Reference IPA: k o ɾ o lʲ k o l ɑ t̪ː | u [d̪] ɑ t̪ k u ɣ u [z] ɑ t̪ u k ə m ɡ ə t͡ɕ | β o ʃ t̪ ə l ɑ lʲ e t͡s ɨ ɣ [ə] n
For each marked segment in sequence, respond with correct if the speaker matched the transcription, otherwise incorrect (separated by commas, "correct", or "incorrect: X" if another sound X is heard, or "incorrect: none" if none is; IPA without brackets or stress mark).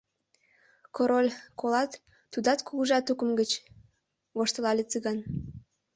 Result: correct, incorrect: ʒ, incorrect: ɑ